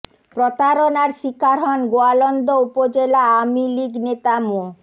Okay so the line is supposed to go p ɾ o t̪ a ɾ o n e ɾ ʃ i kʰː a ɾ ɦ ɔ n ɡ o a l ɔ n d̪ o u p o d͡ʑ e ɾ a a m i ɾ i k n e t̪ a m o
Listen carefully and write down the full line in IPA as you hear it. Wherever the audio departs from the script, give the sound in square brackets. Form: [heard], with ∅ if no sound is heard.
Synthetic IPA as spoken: p ɾ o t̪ a ɾ o n [a] ɾ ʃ i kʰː a ɾ ɦ ɔ n ɡ o a l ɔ n d̪ o u p o d͡ʑ e [l] a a m i [l] i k n e t̪ a m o